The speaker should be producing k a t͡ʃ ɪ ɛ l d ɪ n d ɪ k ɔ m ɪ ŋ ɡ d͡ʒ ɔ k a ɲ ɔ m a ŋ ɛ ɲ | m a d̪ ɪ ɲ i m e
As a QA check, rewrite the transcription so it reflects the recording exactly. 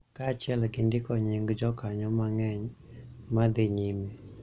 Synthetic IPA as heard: k a t͡ʃ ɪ ɛ l ɡ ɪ n d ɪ k ɔ ɲ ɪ ŋ ɡ d͡ʒ ɔ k a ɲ ɔ m a ŋ ɛ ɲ | m a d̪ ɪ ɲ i m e